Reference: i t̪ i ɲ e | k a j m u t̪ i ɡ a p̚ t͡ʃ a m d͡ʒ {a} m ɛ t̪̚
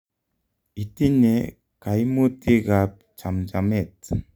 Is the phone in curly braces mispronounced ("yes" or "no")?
no